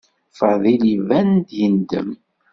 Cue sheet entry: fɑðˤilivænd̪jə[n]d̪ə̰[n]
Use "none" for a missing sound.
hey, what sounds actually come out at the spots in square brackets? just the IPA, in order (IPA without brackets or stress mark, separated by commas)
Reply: n, m